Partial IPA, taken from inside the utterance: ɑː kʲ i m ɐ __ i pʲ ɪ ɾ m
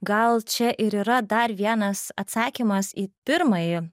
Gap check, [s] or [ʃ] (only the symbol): s